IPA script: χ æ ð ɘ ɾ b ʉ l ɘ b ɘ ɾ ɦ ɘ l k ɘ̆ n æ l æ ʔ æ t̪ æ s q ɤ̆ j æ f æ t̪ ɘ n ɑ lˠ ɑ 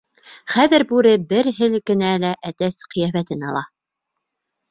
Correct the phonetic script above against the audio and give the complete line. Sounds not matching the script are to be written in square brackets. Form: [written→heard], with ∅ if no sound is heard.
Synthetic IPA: χ æ ð ɘ ɾ b ʉ [l→ɾ] ɘ b ɘ ɾ ɦ ɘ l k ɘ̆ n æ l æ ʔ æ t̪ æ s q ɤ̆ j æ f æ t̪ ɘ n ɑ lˠ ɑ